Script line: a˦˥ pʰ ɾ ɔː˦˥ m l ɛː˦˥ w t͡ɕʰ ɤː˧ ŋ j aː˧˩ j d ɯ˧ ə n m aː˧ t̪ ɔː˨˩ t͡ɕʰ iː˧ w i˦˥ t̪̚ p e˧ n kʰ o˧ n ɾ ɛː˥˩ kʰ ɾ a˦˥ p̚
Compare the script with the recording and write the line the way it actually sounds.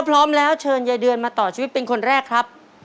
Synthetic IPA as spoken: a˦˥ pʰ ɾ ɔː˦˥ m l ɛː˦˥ w t͡ɕʰ ɤː˧ n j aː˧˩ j d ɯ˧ ə n m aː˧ t̪ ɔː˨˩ t͡ɕʰ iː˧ w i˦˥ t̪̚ p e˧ n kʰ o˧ n ɾ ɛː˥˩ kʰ ɾ a˦˥ p̚